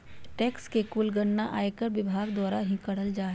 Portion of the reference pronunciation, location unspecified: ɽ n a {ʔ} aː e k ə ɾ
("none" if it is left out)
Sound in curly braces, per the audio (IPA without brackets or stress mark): ʔ